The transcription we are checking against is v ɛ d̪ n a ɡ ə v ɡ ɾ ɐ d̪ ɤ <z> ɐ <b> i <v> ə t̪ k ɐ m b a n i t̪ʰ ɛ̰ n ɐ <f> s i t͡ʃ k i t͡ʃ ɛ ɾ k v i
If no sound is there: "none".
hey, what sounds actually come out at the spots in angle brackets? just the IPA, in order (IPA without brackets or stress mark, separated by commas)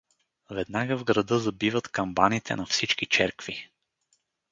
z, b, v, f